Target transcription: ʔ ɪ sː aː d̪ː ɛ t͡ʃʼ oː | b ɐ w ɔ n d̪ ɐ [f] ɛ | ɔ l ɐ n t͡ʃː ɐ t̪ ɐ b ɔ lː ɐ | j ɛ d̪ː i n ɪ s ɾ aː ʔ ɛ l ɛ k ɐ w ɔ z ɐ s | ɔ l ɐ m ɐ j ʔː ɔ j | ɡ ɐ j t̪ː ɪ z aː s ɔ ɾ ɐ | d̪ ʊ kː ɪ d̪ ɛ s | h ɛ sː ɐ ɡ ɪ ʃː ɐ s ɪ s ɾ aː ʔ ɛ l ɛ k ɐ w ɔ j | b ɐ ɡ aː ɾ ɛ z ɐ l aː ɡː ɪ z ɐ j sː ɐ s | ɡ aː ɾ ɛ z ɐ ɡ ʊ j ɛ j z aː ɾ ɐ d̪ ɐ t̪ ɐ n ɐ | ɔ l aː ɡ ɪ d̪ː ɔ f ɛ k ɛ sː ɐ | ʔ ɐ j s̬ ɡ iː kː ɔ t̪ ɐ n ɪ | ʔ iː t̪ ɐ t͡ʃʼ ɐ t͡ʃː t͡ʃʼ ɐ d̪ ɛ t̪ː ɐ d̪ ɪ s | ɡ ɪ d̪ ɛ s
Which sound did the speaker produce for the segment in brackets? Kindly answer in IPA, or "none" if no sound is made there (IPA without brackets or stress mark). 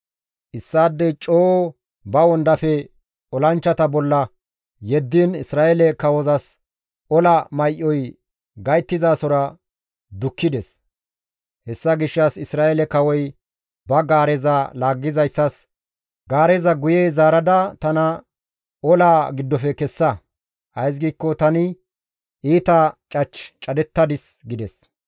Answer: f